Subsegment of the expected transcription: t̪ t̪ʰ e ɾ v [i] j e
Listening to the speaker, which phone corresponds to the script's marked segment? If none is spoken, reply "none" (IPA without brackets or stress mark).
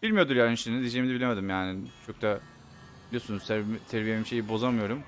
i